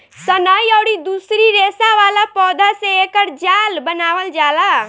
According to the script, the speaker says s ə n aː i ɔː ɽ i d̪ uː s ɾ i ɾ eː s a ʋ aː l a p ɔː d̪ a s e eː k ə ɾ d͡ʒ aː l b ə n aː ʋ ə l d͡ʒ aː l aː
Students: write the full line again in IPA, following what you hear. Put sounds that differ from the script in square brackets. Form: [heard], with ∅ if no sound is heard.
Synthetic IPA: s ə n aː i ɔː ɽ i d̪ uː s ɾ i ɾ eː s a ʋ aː l a p ɔː d̪ a s e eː k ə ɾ d͡ʒ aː l b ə n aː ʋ ə l d͡ʒ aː l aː